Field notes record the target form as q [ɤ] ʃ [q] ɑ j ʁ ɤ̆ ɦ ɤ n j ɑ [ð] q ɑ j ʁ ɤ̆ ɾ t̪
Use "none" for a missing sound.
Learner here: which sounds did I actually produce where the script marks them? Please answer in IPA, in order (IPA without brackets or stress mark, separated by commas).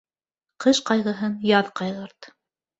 ɤ, q, ð